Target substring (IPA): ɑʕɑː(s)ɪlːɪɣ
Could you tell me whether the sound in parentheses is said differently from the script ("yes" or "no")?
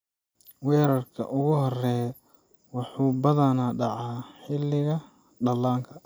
yes